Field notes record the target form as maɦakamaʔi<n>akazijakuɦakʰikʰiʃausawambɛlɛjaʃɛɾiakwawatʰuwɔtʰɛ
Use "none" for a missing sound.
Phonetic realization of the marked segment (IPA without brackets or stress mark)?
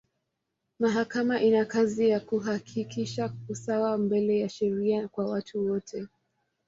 n